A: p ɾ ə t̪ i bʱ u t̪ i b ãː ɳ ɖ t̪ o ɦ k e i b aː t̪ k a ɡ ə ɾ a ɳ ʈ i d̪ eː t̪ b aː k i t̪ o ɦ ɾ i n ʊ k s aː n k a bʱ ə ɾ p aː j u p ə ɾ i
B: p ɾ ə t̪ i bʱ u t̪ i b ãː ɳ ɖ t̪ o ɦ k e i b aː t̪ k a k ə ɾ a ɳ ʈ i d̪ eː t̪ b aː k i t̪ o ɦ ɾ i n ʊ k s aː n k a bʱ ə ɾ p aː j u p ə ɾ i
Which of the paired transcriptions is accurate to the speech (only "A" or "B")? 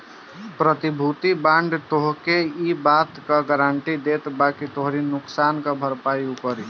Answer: A